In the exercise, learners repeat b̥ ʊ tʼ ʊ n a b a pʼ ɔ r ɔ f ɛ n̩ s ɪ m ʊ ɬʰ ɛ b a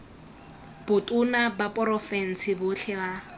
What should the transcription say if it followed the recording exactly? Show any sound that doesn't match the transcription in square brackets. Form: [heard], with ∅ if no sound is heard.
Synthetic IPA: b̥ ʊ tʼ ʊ n a b a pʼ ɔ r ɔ f ɛ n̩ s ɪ [b] ʊ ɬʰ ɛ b a